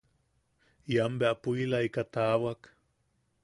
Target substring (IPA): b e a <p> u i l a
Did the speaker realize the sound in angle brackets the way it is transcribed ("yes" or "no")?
yes